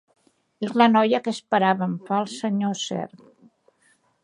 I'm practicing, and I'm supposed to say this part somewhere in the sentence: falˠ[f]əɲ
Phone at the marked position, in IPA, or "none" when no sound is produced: s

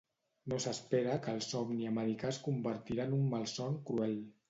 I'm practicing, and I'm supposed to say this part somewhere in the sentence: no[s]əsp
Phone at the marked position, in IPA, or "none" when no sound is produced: s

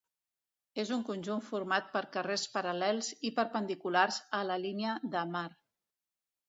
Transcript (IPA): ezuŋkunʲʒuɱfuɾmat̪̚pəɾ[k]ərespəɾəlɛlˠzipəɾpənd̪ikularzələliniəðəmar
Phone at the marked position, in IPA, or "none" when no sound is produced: k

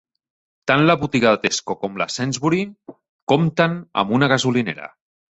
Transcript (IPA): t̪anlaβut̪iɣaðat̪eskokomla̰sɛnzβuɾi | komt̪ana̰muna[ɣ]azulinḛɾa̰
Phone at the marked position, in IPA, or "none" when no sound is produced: ɣ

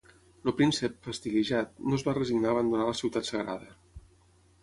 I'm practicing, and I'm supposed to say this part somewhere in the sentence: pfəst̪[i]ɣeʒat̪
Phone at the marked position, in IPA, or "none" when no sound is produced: i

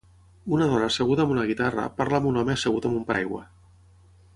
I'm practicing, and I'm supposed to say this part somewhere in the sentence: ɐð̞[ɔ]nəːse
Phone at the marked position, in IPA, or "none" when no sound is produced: ɔ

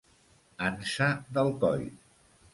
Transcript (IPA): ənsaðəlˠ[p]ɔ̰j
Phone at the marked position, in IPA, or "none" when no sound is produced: k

